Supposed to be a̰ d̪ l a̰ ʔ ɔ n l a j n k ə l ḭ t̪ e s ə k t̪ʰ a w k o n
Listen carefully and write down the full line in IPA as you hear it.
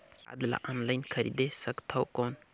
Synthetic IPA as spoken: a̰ d̪ l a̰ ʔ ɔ n l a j n kʰ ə ɾ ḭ d̪ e s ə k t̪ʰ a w k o n